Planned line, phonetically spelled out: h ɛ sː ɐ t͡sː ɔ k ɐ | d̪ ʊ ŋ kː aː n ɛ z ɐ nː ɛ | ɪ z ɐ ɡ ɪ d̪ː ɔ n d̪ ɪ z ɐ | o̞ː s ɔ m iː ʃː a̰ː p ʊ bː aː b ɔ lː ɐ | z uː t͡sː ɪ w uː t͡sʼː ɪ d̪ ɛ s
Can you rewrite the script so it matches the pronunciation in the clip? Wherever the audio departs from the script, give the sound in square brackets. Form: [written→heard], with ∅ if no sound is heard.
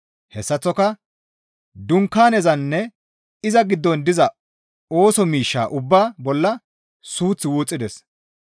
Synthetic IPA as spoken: h ɛ sː ɐ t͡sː ɔ k ɐ | d̪ ʊ ŋ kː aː n ɛ z ɐ nː ɛ | ɪ z ɐ ɡ ɪ d̪ː ɔ n d̪ ɪ z ɐ | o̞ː s ɔ m iː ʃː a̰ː [p→ʔ] ʊ bː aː b ɔ lː ɐ | [z→s] uː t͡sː ɪ w uː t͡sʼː ɪ d̪ ɛ s